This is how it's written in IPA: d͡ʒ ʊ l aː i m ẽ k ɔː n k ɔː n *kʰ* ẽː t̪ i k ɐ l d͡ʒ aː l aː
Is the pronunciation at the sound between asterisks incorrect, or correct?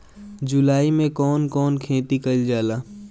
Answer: correct